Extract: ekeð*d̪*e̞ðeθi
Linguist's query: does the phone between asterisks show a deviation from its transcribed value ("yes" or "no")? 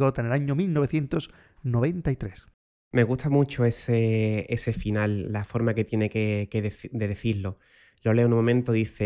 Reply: no